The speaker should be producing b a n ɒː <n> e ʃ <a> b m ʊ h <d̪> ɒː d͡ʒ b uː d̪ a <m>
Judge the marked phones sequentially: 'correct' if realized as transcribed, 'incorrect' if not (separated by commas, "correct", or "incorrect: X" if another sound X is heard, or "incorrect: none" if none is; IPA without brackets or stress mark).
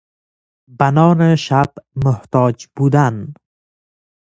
correct, correct, incorrect: t̪, incorrect: n